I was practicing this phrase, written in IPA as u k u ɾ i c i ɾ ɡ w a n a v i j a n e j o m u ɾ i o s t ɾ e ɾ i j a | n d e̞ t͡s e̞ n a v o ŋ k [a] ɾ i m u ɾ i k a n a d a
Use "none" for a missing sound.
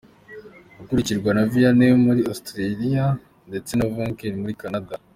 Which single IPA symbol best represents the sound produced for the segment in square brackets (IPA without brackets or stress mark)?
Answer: e